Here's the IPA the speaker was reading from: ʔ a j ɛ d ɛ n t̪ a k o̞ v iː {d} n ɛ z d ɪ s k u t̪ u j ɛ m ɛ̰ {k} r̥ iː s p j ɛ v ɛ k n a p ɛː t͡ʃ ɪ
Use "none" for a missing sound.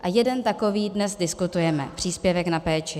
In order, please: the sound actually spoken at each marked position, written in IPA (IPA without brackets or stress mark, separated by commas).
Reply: d, p